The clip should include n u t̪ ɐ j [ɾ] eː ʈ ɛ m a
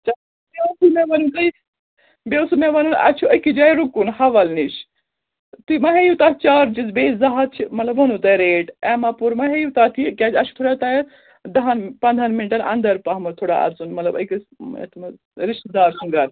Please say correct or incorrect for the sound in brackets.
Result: correct